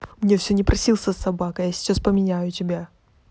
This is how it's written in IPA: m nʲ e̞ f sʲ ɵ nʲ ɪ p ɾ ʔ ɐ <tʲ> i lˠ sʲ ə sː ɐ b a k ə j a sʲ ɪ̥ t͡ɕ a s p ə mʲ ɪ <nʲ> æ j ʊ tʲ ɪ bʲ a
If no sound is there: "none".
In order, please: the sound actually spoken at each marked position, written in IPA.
sʲ, nʲ

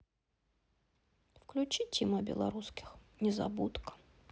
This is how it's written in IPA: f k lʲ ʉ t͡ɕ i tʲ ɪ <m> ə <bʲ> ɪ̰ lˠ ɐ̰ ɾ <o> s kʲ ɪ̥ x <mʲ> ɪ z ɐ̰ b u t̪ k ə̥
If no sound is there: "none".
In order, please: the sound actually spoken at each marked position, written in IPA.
m, bʲ, u, nʲ

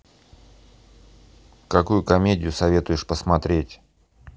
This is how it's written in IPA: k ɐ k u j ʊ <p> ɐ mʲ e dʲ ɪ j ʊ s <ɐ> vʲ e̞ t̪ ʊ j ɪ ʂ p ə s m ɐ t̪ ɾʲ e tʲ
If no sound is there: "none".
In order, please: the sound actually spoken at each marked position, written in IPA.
k, ɐ

